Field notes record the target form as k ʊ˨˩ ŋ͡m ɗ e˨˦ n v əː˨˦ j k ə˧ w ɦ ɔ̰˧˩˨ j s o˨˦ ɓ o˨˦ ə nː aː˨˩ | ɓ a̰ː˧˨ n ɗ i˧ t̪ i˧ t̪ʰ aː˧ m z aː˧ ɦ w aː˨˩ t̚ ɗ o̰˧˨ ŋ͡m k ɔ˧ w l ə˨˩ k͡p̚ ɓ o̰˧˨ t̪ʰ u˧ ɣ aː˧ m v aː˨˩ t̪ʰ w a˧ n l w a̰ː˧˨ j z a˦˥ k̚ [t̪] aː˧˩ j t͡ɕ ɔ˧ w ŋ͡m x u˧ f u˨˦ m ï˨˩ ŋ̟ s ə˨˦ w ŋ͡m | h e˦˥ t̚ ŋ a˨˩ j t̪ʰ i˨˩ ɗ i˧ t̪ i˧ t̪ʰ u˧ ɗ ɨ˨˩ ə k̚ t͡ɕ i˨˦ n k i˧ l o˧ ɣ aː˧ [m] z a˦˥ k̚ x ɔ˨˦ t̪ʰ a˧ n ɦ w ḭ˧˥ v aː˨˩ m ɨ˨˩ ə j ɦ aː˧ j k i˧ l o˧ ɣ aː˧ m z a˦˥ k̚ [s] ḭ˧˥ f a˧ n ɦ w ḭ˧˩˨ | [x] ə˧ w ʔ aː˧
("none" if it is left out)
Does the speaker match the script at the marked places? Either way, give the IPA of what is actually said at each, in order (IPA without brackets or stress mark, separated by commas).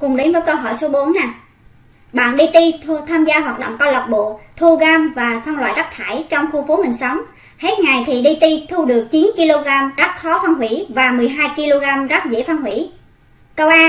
t̪ʰ, m, z, k